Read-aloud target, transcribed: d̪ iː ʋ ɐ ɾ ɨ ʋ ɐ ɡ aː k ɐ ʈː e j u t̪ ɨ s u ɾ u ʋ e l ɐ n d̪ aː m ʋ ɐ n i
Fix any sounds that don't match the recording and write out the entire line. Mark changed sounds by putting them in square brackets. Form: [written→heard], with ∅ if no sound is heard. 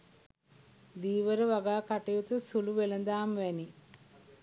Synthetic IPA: d̪ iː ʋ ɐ ɾ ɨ ʋ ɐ ɡ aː k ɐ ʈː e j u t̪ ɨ s u [ɾ→l] u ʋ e l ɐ n d̪ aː m ʋ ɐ n i